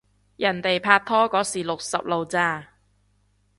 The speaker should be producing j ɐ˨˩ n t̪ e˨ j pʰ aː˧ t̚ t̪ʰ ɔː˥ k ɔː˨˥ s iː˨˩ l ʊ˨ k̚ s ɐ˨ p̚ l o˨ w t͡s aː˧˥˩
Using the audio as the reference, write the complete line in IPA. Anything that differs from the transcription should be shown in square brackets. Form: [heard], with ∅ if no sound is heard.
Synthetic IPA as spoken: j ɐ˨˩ n t̪ e˨ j pʰ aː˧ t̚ t̪ʰ ɔː˥ k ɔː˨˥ s iː˨˩ l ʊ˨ k̚ s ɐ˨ p̚ l o˨ w t͡s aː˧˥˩